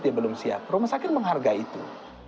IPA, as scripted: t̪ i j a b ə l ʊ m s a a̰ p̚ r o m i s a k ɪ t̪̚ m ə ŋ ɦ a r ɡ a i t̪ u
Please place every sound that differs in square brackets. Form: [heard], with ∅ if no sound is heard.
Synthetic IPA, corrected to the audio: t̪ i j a b ə l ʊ m s [i] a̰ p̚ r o m [a] s a k ɪ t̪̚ m ə ŋ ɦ a r ɡ a i t̪ u